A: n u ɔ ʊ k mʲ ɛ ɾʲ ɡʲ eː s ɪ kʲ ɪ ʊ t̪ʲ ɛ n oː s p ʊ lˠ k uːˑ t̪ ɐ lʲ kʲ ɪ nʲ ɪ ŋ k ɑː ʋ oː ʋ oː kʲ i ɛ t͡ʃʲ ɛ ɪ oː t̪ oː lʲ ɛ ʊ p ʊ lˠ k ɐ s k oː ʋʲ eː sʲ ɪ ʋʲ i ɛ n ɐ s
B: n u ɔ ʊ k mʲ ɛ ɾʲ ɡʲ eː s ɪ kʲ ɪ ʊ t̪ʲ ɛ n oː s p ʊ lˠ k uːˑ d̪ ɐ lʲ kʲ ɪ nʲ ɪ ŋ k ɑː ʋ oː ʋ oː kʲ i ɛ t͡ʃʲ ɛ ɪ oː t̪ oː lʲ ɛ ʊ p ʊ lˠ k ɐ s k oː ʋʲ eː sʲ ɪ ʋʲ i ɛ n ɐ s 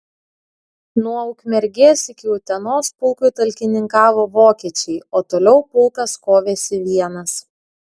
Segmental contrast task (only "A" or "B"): A